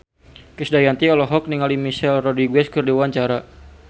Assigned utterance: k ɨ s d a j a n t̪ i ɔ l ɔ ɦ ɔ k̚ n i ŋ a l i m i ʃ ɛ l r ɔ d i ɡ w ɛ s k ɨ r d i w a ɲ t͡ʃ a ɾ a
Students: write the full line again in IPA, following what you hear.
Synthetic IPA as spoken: k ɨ s d a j a n t̪ i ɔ l ɔ ɦ ɔ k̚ n i ŋ a l i m i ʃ ɛ l r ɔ d i ɡ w ɛ s k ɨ r d i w a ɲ t͡ʃ a ɾ a